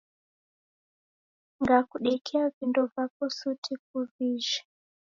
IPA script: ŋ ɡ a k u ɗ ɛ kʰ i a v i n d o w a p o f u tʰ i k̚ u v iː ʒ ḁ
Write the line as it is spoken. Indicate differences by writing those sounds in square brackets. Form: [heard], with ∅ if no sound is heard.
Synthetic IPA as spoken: ŋ ɡ a k u ɗ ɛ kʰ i a v i n d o [v] a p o [s] u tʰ i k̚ u v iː ʒ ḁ